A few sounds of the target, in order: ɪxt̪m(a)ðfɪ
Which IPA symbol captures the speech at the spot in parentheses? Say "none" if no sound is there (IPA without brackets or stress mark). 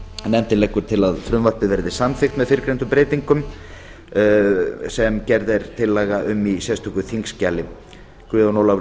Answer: ɛ